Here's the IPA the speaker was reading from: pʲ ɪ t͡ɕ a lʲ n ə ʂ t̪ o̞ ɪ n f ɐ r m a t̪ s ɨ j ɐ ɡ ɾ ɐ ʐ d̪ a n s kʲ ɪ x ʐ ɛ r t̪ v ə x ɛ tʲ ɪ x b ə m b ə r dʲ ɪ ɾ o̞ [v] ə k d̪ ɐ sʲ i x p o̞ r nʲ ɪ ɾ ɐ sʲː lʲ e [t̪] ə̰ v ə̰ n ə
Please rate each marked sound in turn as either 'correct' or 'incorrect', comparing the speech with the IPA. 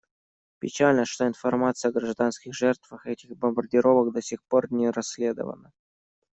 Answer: correct, incorrect

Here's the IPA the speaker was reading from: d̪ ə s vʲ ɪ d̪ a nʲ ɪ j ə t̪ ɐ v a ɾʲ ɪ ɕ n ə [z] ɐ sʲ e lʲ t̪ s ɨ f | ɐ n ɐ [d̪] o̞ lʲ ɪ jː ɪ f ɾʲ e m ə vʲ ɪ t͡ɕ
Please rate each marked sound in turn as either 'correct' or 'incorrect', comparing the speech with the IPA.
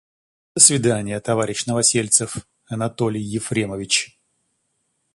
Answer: incorrect, incorrect

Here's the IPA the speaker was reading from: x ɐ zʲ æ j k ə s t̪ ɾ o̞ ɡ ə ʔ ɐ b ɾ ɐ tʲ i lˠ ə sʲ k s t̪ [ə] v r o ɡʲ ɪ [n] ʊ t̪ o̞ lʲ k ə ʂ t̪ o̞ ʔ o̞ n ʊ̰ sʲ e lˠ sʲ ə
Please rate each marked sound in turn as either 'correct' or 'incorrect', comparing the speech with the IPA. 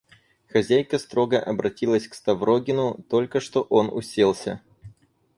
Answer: incorrect, correct

